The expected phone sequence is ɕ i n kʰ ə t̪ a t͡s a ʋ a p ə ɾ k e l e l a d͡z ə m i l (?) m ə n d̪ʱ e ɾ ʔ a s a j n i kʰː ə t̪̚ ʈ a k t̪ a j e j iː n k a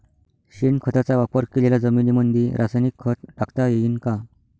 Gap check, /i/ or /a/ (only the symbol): i